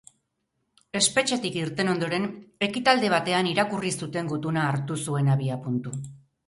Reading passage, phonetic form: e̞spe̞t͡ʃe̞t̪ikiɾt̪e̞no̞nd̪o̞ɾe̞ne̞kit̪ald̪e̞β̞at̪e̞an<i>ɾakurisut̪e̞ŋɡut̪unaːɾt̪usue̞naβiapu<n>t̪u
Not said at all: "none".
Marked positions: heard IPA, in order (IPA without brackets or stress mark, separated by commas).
i, n